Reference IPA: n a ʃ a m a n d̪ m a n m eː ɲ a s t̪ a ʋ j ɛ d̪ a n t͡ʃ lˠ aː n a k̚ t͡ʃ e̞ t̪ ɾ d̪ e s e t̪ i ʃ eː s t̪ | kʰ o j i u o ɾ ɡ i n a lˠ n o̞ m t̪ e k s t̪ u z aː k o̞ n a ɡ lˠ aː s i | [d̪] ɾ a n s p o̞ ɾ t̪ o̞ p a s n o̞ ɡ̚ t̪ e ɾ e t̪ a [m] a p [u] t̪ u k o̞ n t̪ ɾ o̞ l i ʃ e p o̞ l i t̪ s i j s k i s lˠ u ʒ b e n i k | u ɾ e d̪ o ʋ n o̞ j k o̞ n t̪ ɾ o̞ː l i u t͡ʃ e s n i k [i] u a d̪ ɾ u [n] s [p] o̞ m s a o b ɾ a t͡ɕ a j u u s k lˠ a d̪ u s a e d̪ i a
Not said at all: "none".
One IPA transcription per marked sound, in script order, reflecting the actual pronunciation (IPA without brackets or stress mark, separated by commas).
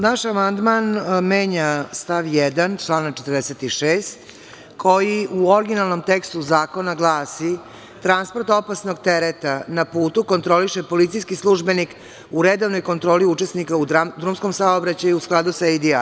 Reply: t̪, n, uː, a, m, k